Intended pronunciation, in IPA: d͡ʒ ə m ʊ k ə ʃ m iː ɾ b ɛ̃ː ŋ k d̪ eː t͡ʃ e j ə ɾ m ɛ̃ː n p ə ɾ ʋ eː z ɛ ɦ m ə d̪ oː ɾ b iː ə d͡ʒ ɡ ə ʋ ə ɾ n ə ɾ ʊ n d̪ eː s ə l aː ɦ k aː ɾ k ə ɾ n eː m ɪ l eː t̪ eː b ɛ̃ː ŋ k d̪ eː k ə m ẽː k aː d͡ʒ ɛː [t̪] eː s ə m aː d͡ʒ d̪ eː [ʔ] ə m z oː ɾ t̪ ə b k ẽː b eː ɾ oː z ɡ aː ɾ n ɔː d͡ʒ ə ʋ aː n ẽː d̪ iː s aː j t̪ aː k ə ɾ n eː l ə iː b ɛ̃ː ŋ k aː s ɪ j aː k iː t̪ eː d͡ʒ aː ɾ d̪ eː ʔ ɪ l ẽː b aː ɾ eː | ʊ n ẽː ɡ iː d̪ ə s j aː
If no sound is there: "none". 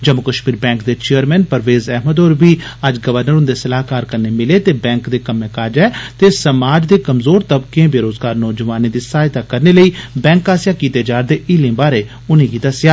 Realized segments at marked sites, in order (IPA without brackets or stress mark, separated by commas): t̪, k